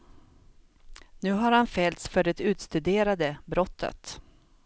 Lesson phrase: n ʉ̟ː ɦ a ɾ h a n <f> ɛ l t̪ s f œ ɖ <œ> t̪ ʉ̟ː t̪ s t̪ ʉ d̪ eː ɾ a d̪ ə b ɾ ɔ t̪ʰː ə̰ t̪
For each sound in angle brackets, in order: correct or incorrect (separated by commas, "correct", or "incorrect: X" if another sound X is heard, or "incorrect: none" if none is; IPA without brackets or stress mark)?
correct, incorrect: ɛ